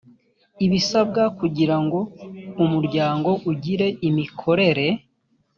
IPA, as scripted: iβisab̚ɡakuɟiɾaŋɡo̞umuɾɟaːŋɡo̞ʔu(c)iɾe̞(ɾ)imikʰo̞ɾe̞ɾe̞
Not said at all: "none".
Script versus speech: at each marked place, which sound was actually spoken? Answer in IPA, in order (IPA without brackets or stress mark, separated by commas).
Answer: ɟ, none